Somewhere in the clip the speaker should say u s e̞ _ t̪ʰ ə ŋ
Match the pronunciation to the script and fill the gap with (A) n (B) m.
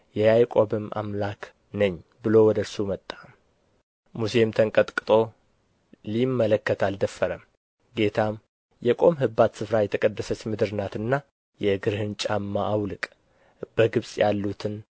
B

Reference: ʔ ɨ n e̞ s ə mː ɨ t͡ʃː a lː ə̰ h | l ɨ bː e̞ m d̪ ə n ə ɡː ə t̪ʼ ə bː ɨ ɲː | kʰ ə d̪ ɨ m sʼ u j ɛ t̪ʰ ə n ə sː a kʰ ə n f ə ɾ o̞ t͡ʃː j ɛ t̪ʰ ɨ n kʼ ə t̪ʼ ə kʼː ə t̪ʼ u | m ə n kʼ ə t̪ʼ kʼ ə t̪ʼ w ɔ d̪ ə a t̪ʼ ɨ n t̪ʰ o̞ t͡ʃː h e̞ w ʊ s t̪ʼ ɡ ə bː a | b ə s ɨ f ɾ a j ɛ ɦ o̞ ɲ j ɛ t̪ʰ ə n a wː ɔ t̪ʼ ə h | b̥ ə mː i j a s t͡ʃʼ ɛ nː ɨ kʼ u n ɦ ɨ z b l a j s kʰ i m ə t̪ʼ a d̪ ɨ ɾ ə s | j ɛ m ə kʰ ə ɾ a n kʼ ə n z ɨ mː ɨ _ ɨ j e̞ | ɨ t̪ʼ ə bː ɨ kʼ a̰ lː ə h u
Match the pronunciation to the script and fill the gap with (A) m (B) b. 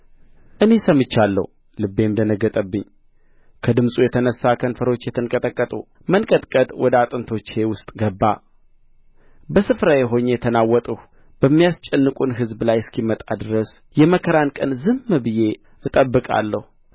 B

